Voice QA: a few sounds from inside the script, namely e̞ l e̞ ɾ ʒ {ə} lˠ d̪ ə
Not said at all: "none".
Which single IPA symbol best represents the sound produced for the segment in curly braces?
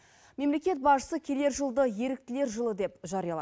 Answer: ə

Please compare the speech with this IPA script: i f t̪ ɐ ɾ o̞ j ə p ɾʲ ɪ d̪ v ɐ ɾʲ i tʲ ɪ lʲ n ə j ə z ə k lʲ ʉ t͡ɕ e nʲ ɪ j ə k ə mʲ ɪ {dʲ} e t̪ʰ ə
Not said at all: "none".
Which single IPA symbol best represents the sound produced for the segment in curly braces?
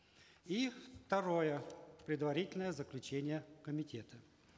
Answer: tʲ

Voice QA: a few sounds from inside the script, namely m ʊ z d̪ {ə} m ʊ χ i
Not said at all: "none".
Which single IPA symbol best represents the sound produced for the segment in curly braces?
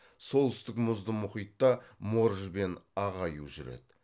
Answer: ə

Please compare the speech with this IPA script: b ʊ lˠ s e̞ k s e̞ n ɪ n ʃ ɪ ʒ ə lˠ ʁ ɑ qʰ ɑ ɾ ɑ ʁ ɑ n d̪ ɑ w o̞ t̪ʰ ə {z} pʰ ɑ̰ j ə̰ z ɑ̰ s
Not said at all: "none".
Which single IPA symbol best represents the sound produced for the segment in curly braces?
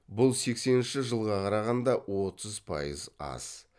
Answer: z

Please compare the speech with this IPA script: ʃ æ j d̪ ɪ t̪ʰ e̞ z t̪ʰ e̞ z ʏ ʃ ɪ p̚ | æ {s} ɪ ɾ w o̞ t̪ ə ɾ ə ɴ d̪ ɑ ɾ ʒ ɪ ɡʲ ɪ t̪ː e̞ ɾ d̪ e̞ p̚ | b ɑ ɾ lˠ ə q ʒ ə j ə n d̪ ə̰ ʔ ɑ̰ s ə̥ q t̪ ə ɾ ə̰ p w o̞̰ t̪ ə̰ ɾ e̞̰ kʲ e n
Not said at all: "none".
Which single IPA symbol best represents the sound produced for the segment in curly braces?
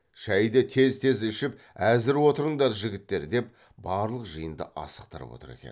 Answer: z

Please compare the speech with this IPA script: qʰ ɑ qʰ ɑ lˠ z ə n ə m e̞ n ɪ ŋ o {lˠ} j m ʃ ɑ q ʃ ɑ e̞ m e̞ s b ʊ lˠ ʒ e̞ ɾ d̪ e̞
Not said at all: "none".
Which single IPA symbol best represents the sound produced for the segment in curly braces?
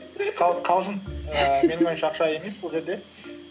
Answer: none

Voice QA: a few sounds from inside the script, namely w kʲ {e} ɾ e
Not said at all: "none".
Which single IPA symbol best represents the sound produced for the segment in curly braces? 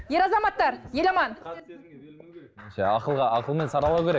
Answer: e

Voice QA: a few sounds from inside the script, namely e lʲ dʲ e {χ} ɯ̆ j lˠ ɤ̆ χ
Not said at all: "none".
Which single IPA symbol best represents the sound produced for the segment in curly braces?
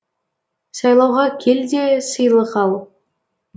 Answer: s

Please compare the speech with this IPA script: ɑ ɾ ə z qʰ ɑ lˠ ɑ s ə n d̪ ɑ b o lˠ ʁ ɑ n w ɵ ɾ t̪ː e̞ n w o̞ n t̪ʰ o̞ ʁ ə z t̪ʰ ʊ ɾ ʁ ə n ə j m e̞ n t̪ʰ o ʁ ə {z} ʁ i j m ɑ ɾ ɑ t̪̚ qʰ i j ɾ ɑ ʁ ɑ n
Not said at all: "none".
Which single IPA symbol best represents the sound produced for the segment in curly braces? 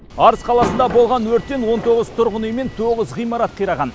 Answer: z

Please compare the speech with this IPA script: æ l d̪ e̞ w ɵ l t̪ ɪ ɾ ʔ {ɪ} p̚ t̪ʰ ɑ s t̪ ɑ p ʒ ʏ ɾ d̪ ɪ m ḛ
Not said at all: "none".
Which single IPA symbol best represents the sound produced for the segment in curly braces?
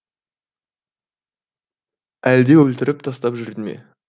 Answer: ɪ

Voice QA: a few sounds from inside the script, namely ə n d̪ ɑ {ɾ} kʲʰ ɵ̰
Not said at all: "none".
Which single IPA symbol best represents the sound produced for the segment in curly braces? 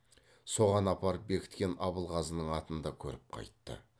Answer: none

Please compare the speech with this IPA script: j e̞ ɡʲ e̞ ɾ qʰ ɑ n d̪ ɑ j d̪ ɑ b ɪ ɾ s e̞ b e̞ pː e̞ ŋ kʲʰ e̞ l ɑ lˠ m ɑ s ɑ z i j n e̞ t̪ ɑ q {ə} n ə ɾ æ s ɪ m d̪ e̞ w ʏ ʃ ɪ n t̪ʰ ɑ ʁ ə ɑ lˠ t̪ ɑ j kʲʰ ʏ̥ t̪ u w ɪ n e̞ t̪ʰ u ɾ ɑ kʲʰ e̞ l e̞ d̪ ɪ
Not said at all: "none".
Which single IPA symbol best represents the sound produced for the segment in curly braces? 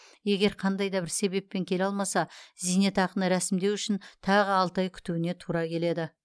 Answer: ə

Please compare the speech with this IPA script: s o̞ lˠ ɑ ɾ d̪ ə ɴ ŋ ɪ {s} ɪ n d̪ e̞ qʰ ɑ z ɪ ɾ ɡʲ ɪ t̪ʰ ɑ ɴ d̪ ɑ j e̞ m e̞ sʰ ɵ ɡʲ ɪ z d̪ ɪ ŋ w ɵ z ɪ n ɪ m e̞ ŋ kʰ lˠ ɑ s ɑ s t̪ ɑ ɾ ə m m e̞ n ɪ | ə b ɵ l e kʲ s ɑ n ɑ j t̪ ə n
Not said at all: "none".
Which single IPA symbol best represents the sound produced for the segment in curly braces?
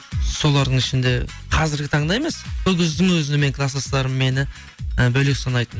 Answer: ʃ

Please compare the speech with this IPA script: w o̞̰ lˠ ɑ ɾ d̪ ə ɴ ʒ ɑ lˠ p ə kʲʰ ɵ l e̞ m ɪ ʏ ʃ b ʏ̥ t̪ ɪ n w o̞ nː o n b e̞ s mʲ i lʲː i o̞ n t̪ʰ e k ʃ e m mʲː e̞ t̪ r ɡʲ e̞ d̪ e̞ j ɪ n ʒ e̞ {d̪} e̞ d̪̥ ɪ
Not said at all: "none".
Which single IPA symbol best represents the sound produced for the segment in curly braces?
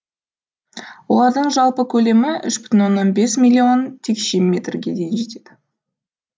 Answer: t̪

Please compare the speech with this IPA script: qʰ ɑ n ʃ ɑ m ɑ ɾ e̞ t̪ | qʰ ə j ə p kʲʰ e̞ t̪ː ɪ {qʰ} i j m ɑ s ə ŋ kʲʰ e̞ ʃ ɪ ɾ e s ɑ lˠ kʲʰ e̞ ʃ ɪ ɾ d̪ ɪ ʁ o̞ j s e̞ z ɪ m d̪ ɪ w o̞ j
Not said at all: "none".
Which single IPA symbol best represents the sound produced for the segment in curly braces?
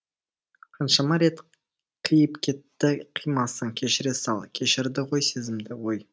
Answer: qʰ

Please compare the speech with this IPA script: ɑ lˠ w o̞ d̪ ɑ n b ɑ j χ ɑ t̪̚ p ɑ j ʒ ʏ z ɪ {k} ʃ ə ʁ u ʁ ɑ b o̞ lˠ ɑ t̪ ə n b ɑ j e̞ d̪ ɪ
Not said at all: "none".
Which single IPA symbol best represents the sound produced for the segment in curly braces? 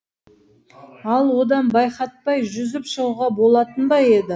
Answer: p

